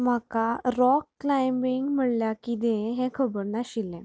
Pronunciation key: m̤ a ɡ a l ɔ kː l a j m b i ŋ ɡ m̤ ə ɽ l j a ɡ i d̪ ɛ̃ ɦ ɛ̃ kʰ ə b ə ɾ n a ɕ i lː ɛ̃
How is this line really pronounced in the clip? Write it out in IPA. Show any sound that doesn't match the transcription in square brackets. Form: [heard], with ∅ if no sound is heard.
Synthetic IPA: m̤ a [k] a [ɾ] ɔ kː l a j m b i ŋ ɡ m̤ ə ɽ l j a [k] i d̪ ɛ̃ ɦ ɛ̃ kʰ ə b ə ɾ n a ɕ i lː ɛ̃

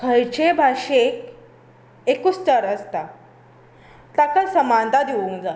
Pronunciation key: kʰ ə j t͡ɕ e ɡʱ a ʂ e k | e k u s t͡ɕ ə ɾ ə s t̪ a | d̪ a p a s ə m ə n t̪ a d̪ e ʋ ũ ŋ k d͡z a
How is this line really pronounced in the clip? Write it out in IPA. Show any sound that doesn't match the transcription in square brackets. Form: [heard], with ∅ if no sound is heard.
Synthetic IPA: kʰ ə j t͡ɕ e [bʱ] a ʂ e k | e k u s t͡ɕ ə ɾ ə s t̪ a | [t̪] a [k] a s ə m [a] n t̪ a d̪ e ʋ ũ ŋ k d͡z a

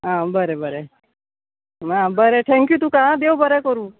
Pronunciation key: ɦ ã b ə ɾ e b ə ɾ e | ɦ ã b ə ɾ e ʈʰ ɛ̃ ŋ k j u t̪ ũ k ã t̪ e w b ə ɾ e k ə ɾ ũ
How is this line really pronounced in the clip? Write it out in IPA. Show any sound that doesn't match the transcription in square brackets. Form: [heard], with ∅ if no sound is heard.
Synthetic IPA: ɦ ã b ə ɾ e b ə ɾ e | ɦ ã b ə ɾ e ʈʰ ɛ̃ ŋ k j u t̪ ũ k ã [d̪] e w b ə ɾ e k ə ɾ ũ

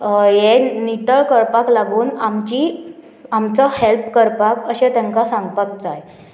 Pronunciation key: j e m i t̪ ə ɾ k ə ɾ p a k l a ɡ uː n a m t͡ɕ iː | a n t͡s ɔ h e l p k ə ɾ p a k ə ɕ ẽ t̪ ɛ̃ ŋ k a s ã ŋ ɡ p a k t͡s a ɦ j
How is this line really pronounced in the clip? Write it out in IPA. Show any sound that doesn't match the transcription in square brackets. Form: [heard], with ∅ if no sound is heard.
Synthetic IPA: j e [n] i t̪ ə [ɭ] k ə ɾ p a k l a ɡ uː n a m t͡ɕ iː | a [m] t͡s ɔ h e l p k ə ɾ p a k ə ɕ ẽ t̪ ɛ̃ ŋ k a s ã ŋ ɡ p a k t͡s a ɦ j

